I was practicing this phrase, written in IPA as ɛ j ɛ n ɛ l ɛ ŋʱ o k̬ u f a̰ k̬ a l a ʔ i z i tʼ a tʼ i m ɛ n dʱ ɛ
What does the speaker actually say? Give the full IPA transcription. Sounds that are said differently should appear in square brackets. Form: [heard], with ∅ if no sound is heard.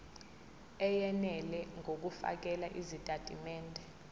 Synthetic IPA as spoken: ɛ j ɛ n ɛ l ɛ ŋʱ o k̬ u f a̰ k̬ [ɛ] l a ʔ i z i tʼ a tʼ i m [ɛː] n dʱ ɛ

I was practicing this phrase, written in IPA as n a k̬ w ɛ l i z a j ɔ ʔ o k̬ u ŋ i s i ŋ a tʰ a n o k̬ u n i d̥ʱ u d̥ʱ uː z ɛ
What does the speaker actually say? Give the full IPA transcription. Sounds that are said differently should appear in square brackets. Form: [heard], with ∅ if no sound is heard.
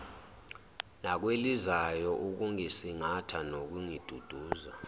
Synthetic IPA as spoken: n a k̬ w [e] l i z a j ɔ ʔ [u] k̬ u ŋ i s i ŋ a tʰ a n o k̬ u [ŋ] i d̥ʱ u d̥ʱ uː z [a]

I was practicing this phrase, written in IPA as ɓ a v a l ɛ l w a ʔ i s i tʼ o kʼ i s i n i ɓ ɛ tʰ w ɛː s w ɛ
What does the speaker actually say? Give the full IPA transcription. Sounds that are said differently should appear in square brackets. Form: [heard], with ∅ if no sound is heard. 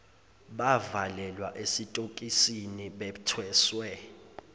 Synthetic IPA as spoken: ɓ a v a l ɛ l w a ʔ [e] s i tʼ o kʼ i s i n i ɓ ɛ tʰ w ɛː s w ɛ

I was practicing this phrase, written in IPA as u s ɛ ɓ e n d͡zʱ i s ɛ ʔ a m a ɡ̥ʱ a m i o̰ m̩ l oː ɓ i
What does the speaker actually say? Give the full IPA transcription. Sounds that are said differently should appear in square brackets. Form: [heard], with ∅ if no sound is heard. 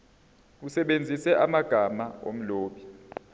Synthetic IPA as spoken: u s ɛ ɓ e n d͡zʱ i s ɛ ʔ a m a ɡ̥ʱ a m [a] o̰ m̩ l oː ɓ i

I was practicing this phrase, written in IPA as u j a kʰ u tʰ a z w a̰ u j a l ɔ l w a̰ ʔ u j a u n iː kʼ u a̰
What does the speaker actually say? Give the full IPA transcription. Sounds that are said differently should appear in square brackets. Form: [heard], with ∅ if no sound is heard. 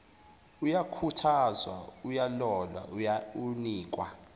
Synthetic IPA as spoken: u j a kʰ u tʰ a z w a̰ u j a l ɔ l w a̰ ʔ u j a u n iː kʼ [w] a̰

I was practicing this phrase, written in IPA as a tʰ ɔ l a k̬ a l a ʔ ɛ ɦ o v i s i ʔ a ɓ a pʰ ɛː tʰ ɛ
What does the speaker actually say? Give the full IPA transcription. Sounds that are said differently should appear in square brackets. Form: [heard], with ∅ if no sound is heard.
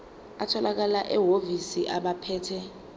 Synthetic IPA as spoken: a tʰ ɔ l a k̬ a l a ʔ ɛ ɦ o v i s i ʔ a ɓ a pʰ ɛː tʰ ɛ

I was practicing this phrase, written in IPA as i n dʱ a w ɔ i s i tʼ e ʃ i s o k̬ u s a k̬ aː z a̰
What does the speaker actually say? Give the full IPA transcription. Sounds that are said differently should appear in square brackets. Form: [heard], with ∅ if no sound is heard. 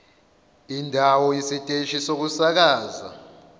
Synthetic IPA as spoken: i n dʱ a w ɔ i s i tʼ e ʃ i s o k̬ u s a k̬ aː z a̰

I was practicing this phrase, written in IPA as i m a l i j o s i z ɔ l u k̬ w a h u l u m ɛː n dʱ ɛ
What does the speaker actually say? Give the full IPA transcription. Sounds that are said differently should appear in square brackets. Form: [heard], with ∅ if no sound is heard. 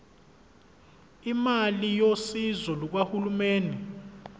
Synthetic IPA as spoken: i m a l i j o s i z ɔ l u k̬ w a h u l u m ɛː n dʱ ɛ

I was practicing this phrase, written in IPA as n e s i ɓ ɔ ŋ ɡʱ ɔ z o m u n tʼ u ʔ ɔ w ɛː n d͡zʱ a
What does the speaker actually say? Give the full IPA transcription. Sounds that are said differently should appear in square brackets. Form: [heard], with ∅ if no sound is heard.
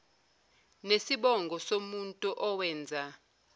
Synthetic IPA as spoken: n e s i ɓ ɔ ŋ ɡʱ ɔ [s] o m u n tʼ u ʔ ɔ w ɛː n d͡zʱ a

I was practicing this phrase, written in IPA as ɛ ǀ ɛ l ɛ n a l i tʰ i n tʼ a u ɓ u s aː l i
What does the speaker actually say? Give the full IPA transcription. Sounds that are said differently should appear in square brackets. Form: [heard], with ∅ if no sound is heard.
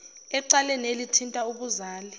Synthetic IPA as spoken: ɛ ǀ [a] l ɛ n [e] l i tʰ i n tʼ a u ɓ u [z] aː l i

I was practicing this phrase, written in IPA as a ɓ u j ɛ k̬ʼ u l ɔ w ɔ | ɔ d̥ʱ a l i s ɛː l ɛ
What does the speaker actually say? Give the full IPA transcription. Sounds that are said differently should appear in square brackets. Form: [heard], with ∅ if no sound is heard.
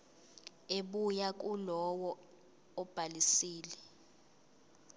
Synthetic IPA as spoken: [e] ɓ u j [a] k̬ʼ u l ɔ w ɔ | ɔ [b̥ʱ] a l i s [iː] l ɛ

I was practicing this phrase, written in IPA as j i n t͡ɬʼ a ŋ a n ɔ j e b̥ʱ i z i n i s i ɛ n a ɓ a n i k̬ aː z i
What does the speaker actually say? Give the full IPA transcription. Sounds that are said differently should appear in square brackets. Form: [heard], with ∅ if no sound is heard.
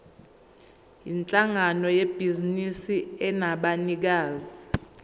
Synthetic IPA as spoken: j i n t͡ɬʼ a ŋ a n ɔ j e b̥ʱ i z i n i s i ɛ n a ɓ a n i k̬ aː z i

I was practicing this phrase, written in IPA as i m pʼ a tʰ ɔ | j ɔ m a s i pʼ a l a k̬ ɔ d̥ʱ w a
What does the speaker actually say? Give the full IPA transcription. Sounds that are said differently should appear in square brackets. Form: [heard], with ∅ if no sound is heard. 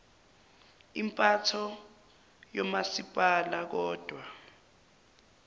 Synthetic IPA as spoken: i m pʼ a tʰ ɔ | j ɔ m a s i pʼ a l a k̬ [ɔː] d̥ʱ w a

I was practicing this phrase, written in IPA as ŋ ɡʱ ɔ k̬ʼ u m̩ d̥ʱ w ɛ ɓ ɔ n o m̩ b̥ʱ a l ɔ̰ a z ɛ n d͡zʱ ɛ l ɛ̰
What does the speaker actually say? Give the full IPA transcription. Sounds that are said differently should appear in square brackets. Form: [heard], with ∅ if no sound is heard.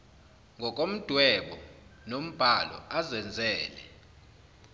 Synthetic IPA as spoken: ŋ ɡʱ ɔ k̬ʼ [o] m̩ d̥ʱ w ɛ ɓ ɔ n o m̩ b̥ʱ a l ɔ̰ a z ɛ n d͡zʱ [ɛː] l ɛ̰

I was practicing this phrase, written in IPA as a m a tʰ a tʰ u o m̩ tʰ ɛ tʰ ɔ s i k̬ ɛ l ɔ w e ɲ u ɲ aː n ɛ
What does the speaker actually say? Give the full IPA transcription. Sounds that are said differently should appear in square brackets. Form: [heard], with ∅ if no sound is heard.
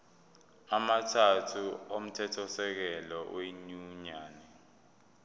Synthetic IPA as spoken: a m a tʰ a tʰ u o m̩ tʰ ɛ tʰ ɔ s [ɛ] k̬ ɛ l ɔ w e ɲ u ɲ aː n ɛ

